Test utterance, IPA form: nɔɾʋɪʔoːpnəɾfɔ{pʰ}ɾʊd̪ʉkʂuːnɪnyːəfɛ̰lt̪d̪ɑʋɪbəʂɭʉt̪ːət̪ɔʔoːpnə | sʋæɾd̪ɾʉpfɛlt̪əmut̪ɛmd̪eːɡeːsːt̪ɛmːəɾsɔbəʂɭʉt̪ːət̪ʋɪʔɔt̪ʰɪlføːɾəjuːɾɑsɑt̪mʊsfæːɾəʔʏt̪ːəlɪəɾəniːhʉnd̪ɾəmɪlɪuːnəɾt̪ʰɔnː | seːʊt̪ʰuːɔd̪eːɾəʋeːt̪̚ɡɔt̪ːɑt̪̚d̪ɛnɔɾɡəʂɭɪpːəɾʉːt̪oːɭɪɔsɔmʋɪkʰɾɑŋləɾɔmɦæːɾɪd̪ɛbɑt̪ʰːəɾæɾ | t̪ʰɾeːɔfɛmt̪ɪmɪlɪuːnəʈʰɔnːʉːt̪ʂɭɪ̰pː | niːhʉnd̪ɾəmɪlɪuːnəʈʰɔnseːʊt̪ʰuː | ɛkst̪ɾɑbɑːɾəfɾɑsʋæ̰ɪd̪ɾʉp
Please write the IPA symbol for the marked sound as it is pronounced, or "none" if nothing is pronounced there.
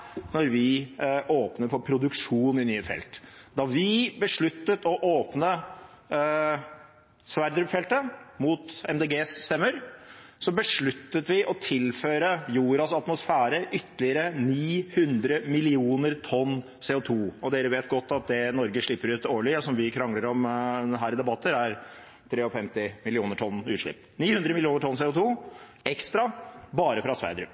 pʰ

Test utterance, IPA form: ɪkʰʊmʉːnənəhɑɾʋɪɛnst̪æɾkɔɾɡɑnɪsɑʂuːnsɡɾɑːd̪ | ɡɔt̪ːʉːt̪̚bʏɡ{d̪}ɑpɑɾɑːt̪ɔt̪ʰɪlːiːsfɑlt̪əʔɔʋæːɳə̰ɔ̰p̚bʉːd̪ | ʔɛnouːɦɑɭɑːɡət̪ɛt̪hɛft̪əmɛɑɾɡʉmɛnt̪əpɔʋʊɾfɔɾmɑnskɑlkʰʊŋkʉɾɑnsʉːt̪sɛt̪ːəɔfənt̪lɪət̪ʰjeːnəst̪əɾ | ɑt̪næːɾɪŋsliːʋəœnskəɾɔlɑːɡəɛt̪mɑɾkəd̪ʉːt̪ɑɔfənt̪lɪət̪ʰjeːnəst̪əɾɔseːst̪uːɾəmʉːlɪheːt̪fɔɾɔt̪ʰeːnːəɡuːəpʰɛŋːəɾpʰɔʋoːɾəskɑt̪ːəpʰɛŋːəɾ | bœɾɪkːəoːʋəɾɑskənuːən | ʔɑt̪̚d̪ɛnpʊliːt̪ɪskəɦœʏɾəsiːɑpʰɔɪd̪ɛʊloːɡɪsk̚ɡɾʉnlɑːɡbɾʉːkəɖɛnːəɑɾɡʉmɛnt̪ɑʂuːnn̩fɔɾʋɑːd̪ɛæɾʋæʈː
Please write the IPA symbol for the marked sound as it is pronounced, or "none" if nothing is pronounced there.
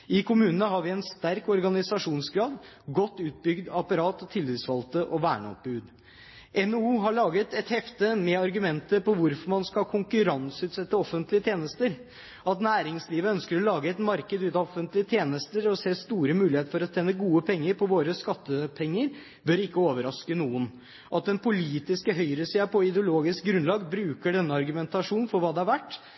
d̪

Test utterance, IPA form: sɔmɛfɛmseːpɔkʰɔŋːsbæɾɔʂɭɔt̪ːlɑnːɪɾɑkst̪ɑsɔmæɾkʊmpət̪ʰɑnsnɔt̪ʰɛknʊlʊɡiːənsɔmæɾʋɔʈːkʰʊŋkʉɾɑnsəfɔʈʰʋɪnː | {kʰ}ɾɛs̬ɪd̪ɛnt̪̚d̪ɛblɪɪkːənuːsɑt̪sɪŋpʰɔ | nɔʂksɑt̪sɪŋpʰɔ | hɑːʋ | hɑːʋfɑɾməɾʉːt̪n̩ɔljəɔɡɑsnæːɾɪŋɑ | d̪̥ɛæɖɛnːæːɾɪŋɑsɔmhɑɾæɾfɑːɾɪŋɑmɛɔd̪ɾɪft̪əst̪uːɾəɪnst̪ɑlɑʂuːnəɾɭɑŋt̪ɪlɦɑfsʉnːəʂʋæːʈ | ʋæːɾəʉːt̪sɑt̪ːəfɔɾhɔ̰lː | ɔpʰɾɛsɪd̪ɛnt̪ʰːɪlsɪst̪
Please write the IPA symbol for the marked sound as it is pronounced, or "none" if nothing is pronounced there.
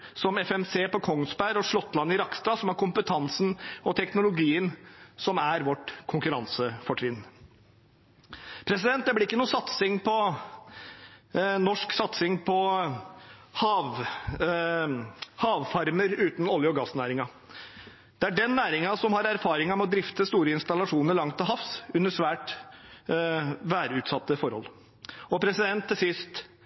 pʰ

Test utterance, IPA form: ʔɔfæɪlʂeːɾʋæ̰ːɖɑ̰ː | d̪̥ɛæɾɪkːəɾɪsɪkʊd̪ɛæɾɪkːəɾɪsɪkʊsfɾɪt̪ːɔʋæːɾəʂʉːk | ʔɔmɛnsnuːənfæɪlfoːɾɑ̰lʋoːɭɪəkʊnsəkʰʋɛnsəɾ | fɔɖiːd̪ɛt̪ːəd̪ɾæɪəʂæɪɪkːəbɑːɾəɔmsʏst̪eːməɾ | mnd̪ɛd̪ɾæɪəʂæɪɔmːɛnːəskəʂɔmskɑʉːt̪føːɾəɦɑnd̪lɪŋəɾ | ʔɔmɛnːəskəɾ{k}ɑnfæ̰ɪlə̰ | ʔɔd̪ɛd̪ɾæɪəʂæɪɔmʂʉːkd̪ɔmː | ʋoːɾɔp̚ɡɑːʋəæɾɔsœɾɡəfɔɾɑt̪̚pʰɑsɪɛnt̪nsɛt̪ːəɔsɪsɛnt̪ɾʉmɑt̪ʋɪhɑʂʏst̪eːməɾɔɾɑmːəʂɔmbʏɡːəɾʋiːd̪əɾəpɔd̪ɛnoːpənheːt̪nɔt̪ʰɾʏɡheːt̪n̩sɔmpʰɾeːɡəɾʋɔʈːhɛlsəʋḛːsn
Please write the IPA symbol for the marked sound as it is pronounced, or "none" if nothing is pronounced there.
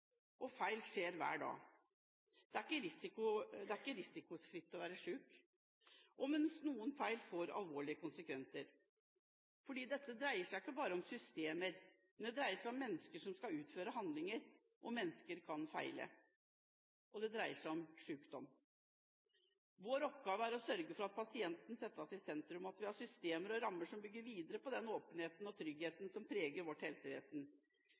kʰ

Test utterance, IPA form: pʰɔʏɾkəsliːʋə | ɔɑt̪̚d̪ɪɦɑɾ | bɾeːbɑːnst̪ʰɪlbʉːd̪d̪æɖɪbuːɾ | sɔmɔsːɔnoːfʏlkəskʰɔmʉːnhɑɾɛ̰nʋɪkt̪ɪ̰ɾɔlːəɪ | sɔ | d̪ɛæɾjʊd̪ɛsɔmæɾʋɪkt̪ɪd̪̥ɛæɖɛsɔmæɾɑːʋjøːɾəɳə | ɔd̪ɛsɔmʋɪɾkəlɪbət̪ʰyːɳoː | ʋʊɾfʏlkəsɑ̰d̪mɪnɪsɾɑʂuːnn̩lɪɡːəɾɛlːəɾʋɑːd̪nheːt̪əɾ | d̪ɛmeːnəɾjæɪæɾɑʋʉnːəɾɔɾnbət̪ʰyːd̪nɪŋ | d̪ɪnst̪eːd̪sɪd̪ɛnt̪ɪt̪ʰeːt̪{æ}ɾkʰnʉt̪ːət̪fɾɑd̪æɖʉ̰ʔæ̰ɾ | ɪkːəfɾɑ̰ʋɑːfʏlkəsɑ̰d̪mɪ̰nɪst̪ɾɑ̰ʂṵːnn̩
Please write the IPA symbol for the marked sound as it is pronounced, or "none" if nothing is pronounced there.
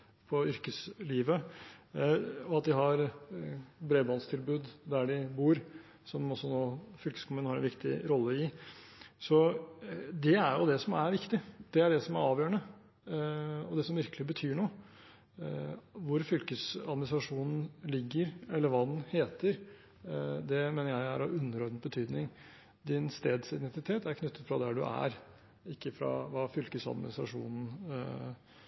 æ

